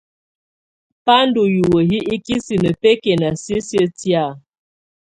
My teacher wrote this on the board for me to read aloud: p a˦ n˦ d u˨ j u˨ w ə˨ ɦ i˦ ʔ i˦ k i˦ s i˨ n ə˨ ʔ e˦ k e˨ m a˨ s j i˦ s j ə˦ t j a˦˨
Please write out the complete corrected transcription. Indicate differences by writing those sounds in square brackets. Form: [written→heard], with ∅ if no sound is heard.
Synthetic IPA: p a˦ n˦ d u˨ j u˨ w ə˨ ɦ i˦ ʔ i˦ k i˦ s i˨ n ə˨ [ʔ→p] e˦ k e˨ [m→n] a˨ s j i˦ s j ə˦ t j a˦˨